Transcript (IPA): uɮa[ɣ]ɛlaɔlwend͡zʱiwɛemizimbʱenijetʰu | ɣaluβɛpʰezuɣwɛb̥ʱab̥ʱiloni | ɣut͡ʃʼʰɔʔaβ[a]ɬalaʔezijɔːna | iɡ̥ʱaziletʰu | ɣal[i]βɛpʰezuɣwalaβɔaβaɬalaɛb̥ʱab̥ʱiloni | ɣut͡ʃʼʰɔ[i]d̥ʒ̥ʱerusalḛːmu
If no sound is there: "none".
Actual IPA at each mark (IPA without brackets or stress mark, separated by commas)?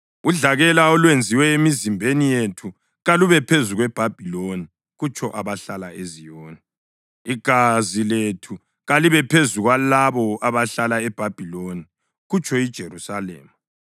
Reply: ɣ, a, i, i